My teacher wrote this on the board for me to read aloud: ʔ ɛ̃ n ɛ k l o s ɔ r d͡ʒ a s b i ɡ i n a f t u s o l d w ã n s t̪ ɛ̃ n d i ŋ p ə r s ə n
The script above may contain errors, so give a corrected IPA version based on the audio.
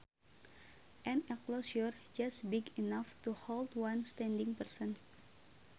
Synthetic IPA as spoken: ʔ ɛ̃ n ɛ k l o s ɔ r d͡ʒ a s b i ɡ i n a f t u h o l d w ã n s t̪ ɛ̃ n d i ŋ p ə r s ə n